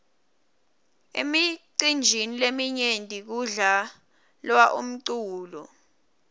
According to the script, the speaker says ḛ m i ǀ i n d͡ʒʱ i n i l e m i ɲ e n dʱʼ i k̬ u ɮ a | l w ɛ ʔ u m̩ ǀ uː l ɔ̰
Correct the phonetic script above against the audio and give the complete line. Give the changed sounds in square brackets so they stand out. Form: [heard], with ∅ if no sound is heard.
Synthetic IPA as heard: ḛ m i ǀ i n d͡ʒʱ i n i l e m i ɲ e n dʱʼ i k̬ u ɮ a | l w [a] ʔ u m̩ ǀ uː l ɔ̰